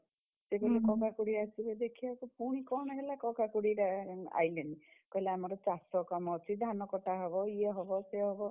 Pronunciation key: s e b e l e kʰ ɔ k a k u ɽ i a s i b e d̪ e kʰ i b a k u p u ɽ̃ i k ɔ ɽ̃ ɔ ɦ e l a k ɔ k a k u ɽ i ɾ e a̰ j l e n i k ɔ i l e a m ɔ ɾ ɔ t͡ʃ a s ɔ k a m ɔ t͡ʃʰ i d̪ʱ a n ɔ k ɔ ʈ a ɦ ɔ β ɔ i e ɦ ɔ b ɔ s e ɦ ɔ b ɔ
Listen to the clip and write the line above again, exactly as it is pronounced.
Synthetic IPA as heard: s e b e l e k ɔ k a k u ɽ i a s i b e d̪ e kʰ i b a k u p u ɽ̃ i k ɔ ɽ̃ ɔ ɦ e l a k ɔ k a k u ɽ i ɾ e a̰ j l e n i k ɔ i l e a m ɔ ɾ ɔ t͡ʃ a s ɔ k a m ɔ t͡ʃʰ i d̪ʱ a n ɔ k ɔ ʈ a ɦ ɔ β ɔ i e ɦ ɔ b ɔ s e ɦ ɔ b ɔ